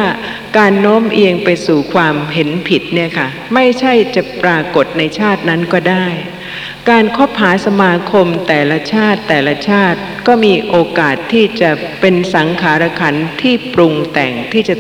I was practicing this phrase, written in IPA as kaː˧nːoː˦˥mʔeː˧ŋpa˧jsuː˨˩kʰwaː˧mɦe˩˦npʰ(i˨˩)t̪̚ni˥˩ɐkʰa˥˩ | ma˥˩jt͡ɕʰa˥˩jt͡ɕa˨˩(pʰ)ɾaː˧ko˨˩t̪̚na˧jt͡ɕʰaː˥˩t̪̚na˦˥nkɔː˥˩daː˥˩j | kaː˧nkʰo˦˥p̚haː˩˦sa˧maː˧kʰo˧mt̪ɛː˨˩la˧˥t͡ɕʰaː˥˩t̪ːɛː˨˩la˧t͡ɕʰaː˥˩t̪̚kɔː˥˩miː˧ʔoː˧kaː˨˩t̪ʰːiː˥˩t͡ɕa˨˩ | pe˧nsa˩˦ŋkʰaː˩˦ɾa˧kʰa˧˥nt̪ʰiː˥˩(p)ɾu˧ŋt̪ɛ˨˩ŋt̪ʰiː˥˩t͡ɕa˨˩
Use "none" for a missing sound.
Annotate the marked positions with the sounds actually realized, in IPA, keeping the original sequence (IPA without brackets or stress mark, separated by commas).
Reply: i˨˩, p, p